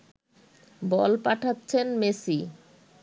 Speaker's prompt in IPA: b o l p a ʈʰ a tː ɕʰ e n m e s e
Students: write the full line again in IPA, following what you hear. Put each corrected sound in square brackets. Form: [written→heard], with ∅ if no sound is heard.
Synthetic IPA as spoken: b [o→ɔ] l p a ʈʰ a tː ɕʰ e n m e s [e→i]